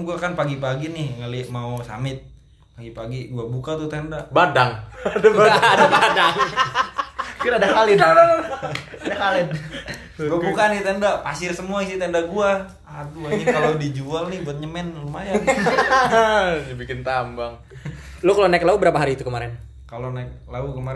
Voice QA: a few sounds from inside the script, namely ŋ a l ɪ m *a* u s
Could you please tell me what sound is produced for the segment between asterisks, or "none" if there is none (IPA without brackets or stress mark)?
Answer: a